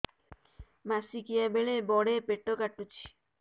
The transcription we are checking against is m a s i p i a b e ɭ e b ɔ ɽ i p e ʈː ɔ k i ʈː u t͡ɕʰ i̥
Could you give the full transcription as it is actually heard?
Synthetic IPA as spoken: m a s i k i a b e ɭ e b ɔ ɽ e p e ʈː o k a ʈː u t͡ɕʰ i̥